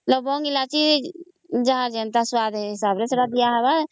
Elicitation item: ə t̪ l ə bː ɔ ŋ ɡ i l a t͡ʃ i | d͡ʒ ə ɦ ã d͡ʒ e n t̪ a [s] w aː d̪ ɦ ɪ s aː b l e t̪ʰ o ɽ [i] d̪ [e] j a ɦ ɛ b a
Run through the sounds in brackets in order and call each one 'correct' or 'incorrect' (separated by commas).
correct, incorrect, incorrect